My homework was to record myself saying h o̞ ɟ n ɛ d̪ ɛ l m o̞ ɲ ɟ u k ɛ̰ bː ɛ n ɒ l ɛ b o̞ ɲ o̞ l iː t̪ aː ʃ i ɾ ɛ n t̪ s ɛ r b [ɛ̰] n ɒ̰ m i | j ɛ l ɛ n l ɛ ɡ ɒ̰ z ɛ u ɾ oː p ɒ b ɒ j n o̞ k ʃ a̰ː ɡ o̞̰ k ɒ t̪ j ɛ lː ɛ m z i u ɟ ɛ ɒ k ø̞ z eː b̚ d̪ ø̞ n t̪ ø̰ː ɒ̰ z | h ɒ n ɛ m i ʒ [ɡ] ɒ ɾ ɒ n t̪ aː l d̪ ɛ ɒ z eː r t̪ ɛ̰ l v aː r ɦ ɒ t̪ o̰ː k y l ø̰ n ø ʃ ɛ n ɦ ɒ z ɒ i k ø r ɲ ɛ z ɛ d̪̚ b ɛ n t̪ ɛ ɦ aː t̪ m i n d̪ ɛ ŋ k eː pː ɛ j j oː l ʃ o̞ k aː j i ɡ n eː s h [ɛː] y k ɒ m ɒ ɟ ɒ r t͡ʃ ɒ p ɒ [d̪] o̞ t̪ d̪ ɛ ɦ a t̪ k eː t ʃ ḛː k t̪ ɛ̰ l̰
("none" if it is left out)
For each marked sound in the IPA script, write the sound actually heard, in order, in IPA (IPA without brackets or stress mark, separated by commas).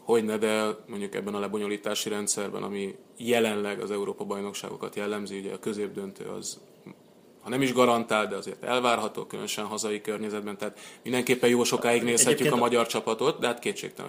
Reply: ɛ̰, ɡ, ɛː, t̪